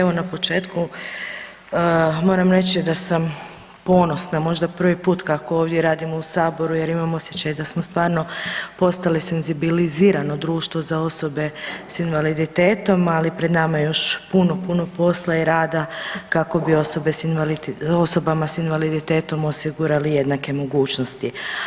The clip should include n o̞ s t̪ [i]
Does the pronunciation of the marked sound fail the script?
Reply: no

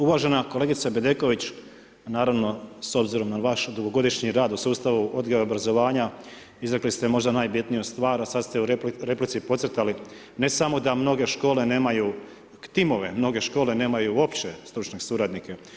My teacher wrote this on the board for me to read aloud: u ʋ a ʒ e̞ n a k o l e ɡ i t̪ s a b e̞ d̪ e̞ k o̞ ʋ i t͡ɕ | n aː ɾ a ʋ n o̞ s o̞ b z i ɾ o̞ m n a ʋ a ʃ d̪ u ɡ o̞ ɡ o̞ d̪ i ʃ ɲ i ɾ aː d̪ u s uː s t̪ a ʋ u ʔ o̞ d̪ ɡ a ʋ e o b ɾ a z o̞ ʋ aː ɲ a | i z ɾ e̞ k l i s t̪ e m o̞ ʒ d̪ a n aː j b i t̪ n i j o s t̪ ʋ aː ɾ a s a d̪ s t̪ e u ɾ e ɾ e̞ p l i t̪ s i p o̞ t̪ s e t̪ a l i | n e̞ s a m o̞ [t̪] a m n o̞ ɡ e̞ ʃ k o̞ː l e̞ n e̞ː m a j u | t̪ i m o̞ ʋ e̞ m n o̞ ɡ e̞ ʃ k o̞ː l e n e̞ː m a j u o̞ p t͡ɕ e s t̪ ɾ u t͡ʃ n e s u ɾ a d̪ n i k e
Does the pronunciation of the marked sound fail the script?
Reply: yes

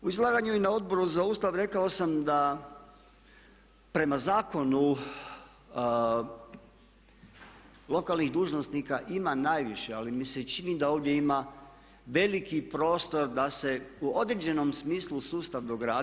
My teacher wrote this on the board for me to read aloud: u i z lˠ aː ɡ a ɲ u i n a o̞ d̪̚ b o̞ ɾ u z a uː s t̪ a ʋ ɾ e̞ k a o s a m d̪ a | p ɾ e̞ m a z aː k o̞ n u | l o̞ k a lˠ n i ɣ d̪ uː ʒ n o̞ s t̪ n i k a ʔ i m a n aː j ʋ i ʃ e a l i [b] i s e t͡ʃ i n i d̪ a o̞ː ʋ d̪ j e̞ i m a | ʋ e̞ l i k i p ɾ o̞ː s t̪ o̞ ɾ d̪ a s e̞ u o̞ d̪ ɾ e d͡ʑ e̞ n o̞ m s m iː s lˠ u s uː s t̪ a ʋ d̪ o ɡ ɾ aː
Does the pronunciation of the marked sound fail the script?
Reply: yes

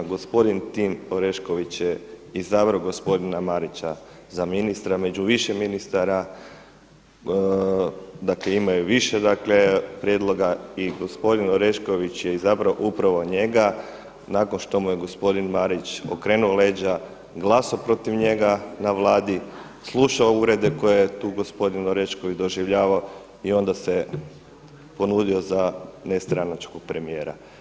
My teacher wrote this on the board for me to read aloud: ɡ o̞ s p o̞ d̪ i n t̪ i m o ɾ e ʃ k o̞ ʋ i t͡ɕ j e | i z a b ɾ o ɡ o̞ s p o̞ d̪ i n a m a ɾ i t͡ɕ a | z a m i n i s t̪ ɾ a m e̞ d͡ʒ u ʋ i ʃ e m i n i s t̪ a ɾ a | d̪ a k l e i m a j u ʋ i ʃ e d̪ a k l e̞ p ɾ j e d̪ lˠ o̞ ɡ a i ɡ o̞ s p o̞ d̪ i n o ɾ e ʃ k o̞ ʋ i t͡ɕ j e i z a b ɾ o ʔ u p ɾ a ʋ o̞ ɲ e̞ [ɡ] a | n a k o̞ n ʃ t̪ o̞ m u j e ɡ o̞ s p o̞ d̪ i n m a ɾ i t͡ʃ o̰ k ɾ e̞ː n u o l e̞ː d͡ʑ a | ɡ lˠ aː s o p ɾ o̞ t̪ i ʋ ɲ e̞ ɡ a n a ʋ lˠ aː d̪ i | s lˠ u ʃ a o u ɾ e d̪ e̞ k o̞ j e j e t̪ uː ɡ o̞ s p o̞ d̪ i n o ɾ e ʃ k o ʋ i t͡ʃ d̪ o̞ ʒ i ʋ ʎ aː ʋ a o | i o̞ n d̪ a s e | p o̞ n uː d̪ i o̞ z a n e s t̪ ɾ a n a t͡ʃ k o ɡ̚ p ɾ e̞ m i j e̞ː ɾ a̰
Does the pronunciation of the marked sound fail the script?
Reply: no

